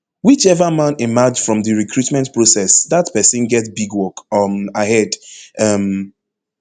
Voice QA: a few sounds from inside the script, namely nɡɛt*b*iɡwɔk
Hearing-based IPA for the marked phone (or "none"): b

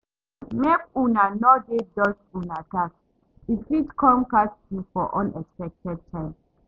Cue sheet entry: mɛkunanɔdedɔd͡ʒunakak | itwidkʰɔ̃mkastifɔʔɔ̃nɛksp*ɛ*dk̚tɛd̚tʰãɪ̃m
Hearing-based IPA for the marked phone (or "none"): ɛ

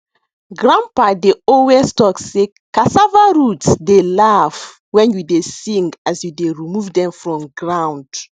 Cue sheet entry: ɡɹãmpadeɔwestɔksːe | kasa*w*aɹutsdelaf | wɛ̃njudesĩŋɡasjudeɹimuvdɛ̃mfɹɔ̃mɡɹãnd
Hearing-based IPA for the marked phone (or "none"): v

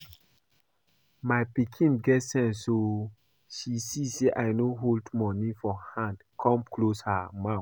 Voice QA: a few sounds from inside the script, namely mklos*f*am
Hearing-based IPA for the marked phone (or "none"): h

